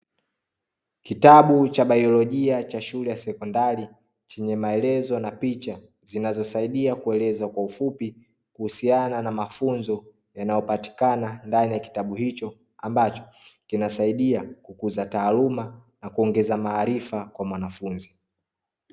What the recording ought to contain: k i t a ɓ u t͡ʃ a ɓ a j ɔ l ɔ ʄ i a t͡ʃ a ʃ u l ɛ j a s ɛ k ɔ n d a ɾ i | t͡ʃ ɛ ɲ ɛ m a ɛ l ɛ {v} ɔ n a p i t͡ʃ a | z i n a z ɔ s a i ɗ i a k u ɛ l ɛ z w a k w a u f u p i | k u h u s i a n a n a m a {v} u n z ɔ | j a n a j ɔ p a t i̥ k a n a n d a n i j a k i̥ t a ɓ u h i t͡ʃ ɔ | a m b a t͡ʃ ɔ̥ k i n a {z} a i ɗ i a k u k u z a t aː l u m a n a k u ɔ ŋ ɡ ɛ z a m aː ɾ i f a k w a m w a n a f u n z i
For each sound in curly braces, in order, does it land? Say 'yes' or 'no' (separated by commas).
no, no, no